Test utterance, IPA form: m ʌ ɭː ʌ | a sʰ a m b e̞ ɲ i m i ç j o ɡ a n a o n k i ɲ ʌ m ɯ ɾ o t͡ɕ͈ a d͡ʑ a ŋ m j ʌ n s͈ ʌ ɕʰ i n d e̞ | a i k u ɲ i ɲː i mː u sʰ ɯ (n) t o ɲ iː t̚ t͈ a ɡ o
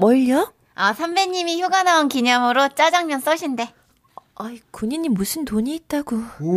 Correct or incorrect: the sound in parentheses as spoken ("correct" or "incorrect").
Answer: correct